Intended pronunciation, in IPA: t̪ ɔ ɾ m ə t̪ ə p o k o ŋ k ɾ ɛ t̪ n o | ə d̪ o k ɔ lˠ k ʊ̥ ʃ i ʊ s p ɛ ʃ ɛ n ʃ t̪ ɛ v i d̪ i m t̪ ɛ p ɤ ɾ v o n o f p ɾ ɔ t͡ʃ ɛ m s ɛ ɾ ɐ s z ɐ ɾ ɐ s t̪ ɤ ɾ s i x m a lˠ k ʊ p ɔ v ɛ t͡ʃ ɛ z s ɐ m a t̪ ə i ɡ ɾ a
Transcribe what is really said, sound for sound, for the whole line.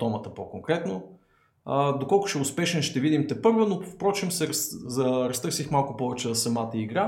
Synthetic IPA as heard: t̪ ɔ m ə t̪ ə p o k o ŋ k ɾ ɛ t̪ n o | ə d̪ o k ɔ lˠ k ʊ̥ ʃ ɛ ʊ s p ɛ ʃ ɛ n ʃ t̪ ɛ v i d̪ i m t̪ ɛ p ɤ ɾ v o n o f p ɾ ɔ t͡ʃ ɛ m s ɛ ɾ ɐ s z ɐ ɾ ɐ s t̪ ɤ ɾ s i x m a lˠ k ʊ p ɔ v ɛ t͡ʃ ɛ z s ɐ m a t̪ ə i ɡ ɾ a